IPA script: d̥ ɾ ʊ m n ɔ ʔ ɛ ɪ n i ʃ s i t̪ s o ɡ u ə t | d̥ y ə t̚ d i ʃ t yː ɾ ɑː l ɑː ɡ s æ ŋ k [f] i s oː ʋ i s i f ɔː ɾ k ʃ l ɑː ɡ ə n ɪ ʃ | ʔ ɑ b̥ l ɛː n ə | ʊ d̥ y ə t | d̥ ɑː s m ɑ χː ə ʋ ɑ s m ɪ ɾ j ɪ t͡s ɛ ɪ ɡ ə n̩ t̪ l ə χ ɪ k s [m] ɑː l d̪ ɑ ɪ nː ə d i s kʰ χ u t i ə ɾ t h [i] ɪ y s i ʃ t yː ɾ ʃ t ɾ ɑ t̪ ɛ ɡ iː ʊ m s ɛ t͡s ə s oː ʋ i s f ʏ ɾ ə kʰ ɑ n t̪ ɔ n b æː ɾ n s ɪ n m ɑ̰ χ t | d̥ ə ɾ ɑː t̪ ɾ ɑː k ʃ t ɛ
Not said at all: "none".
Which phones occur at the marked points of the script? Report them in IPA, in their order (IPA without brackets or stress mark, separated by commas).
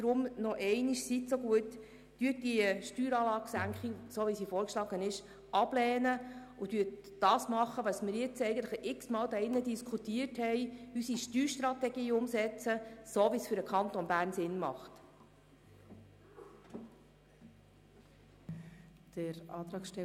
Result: χ, m, ɛ